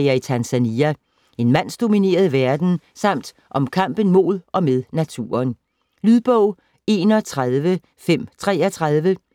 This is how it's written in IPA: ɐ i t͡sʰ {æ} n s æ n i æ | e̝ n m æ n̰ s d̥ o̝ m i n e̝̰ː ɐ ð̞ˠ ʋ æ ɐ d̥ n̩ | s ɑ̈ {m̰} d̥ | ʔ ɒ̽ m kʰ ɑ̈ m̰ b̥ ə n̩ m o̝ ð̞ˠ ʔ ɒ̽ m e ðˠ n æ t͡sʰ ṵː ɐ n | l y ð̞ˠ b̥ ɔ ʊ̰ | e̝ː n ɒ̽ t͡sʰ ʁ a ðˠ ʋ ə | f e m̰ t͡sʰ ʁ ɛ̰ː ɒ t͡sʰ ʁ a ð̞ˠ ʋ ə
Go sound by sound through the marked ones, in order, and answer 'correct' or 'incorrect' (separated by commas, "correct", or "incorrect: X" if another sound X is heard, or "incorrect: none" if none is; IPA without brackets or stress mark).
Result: correct, correct